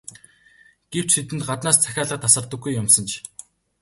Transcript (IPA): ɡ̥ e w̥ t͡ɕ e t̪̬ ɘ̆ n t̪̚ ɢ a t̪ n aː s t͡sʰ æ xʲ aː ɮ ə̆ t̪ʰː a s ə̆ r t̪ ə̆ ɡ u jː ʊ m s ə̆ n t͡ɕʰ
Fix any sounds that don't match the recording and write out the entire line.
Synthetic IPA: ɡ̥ e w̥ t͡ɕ e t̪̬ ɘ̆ n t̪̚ ɢ a t̪ n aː s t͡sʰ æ xʲ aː ɮ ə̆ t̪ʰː a s ə̆ r t̪ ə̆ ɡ u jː ʊ m s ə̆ n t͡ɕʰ